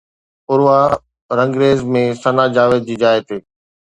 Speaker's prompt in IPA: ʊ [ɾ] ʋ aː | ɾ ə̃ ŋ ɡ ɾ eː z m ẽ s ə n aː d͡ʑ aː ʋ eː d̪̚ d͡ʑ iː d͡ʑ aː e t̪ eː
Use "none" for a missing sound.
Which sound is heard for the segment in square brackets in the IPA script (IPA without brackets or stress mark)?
ɾ